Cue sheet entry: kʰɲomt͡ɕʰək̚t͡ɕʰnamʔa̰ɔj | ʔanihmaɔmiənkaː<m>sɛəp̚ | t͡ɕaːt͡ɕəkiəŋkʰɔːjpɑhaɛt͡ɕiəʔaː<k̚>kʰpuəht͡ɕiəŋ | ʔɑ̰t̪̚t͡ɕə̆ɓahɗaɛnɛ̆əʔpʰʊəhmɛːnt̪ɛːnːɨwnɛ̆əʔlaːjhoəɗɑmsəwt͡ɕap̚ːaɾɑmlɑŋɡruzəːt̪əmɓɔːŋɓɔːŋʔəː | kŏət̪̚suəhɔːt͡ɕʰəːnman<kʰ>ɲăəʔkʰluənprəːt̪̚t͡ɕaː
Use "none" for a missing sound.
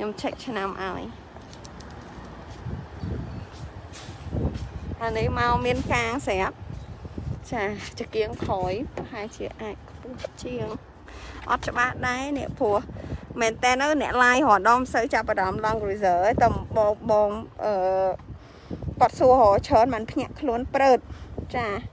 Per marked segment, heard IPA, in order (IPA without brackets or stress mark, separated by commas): ŋ, c̚, pʰ